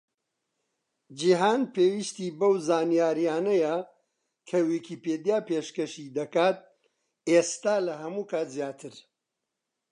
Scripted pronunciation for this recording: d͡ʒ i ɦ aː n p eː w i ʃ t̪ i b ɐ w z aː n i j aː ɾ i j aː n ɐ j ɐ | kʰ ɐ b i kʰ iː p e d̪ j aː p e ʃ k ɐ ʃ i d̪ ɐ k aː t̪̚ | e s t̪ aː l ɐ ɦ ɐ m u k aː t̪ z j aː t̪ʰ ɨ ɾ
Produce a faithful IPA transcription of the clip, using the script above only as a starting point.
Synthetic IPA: d͡ʒ i ɦ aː n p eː w i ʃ t̪ i b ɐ w z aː n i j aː ɾ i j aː n ɐ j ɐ | kʰ ɐ w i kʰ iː p e d̪ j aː p e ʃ k ɐ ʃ i d̪ ɐ k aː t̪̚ | e s t̪ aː l ɐ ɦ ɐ m u k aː t̪ z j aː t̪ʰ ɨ ɾ